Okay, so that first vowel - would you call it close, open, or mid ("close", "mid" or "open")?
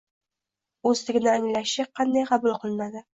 mid